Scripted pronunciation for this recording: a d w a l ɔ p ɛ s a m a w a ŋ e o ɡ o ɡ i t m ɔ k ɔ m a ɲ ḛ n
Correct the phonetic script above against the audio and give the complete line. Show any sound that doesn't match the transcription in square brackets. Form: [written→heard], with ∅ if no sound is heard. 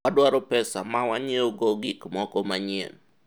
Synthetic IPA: a d w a [l→ɾ] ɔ p ɛ s a m a w a [ŋ→ɲ] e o ɡ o ɡ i [t→k] m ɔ k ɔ m a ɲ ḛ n